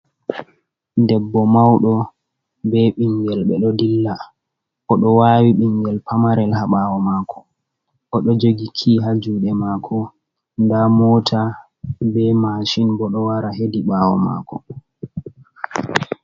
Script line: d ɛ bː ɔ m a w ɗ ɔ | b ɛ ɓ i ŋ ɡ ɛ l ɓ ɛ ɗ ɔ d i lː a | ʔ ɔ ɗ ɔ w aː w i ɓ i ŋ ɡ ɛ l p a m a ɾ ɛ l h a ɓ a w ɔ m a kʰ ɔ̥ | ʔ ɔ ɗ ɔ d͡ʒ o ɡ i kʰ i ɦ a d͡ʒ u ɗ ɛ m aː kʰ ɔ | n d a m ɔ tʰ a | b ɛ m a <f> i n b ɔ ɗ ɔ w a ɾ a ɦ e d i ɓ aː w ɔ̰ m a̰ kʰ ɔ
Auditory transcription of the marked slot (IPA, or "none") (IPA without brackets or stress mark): ʃ